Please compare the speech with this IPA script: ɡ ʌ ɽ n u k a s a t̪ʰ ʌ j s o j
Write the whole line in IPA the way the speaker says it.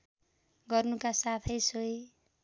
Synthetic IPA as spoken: ɡ ʌ r n u k a s a t̪ʰ ʌ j s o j